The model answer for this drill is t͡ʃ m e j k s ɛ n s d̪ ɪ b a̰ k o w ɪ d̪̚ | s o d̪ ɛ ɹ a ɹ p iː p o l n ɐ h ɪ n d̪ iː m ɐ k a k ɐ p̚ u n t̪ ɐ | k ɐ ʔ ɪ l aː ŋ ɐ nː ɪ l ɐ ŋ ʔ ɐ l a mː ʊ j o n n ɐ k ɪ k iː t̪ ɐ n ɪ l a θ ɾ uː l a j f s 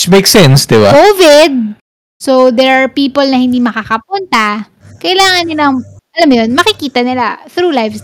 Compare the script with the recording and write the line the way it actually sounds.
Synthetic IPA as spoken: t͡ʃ m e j k s ɛ n s d̪ ɪ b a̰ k o v ɪ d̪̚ | s o d̪ ɛ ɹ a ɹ p iː p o l n ɐ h ɪ n d̪ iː m ɐ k a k ɐ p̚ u n t̪ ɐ | k ɐ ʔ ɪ l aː ŋ ɐ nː ɪ l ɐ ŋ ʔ ɐ l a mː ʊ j o n m ɐ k ɪ k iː t̪ ɐ n ɪ l a θ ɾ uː l a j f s